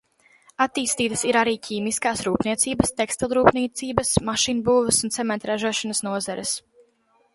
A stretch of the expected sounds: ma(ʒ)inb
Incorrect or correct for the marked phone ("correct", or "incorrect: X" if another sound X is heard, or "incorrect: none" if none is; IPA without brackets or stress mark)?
incorrect: ʃ